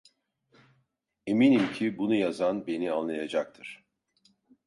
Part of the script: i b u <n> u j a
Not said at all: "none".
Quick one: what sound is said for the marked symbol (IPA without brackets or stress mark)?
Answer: n